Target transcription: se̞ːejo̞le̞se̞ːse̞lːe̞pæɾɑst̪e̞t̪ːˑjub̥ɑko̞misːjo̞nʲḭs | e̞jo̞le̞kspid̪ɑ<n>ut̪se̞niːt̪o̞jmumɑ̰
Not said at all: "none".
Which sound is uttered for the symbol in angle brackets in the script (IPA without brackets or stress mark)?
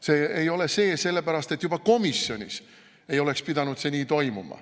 n